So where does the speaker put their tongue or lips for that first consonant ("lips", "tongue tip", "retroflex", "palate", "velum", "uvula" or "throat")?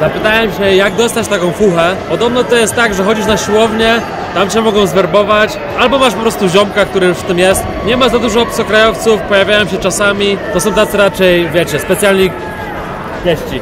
tongue tip